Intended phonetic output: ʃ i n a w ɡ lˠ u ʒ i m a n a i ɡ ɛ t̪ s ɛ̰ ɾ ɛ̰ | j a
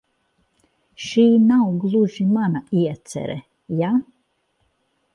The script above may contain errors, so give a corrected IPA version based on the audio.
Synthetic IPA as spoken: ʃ iː n a w ɡ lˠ u ʒ i m a n a i ɛ t̪ s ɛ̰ ɾ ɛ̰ | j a